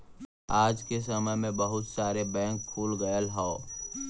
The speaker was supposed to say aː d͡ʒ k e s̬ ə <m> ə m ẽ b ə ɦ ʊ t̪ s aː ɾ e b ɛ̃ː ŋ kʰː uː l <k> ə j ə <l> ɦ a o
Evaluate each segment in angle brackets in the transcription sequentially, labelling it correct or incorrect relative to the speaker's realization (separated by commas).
correct, incorrect, correct